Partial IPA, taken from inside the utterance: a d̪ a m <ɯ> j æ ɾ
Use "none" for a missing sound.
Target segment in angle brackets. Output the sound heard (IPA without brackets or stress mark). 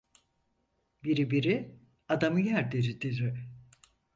ɯ